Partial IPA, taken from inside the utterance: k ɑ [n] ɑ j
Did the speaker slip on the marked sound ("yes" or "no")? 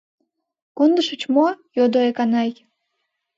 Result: no